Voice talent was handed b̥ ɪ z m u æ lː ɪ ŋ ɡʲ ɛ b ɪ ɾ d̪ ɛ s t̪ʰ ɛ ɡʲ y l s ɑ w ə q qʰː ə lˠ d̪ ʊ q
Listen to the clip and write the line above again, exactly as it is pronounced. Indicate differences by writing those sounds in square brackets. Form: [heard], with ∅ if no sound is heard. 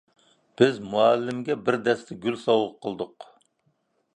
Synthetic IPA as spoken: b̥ ɪ z m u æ lː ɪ [m] ɡʲ ɛ b ɪ ɾ d̪ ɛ s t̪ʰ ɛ ɡʲ y l s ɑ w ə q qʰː ə lˠ d̪ ʊ q